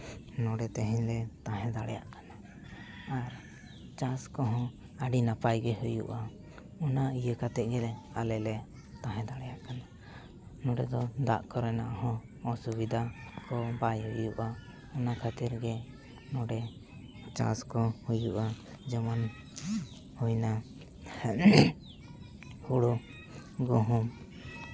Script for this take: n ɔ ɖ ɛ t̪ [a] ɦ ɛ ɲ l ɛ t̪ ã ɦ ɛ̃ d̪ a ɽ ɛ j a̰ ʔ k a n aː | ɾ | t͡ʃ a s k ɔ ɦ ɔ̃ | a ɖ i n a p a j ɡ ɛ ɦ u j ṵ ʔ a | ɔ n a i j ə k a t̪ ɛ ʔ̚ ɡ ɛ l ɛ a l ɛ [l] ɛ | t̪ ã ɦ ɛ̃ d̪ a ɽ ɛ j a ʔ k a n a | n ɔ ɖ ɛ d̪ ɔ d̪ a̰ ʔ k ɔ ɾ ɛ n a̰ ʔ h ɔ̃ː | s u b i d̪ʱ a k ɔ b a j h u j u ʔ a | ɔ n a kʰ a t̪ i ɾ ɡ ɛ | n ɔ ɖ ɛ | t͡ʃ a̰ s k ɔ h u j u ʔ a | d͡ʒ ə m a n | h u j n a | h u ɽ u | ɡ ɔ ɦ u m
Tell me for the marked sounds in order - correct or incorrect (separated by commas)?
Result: incorrect, correct